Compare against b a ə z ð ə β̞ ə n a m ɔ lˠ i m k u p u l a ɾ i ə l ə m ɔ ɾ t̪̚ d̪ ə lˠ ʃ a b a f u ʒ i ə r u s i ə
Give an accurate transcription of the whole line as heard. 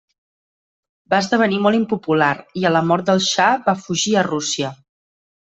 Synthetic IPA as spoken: b a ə z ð ə β̞ ə n i m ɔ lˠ i m p u p u l a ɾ i ə l ə m ɔ ɾ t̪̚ d̪ ə lˠ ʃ a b a f u ʒ i ə r u s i ə